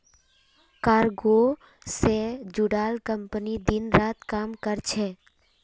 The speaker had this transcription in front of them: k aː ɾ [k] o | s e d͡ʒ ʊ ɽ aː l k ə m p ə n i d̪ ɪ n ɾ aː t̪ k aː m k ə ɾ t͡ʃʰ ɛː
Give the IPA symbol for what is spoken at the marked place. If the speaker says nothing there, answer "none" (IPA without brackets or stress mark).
ɡ